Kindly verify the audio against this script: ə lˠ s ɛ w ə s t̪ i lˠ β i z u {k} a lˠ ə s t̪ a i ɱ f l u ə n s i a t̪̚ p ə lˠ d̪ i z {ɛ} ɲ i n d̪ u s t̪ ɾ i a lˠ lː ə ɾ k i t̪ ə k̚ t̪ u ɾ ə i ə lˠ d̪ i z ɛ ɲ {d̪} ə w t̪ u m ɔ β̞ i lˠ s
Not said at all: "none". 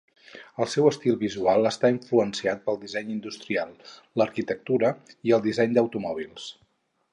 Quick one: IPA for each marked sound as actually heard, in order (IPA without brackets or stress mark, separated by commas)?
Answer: none, ɛ, d̪